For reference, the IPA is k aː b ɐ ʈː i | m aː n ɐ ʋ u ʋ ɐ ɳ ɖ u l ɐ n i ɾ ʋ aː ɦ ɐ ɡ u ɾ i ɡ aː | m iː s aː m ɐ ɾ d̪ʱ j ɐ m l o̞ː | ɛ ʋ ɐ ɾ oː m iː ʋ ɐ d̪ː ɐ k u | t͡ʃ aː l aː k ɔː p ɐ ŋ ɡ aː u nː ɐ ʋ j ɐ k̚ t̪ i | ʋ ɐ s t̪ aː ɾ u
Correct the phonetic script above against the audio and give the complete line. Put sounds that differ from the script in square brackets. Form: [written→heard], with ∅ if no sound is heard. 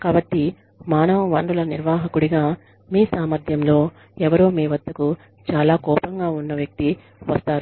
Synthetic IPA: k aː b ɐ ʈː i | m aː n ɐ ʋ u ʋ ɐ ɳ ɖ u l ɐ n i ɾ ʋ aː ɦ ɐ [ɡ→k] u [ɾ→ɽ] i ɡ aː | m iː s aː m ɐ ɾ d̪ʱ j ɐ m l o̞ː | ɛ ʋ ɐ ɾ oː m iː ʋ ɐ d̪ː ɐ k u | t͡ʃ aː l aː k ɔː p ɐ ŋ ɡ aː u nː ɐ ʋ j ɐ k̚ t̪ i | ʋ ɐ s t̪ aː ɾ u